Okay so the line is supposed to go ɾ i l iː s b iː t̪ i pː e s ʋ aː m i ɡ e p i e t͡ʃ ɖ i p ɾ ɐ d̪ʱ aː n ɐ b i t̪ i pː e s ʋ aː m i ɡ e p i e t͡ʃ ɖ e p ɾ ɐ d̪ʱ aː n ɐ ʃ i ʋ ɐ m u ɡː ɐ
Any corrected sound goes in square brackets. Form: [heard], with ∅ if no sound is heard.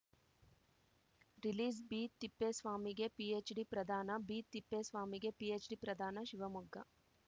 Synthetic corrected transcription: ɾ i l iː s b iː t̪ i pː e s ʋ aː m i ɡ e p i e t͡ʃ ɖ i p ɾ ɐ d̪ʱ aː n ɐ b i t̪ i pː e s ʋ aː m i ɡ e p i e t͡ʃ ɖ [i] p ɾ ɐ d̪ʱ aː n ɐ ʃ i ʋ ɐ m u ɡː ɐ